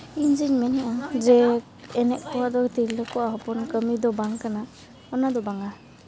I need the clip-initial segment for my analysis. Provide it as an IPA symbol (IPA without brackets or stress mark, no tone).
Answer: i